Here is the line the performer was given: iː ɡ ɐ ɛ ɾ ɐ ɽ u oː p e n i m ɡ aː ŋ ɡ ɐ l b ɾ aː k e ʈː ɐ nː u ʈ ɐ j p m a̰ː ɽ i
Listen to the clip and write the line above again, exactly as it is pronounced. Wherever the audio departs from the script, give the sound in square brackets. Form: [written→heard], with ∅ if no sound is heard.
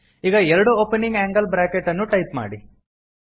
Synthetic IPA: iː ɡ ɐ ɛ ɾ ɐ ɽ u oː p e n i [m→ŋ] ɡ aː ŋ ɡ ɐ l b ɾ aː k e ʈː ɐ nː u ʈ ɐ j p m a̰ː ɽ i